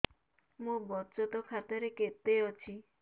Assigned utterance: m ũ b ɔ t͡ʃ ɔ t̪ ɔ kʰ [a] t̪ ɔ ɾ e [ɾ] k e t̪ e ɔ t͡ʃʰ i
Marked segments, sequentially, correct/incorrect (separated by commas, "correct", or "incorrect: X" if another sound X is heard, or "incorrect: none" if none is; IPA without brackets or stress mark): correct, incorrect: none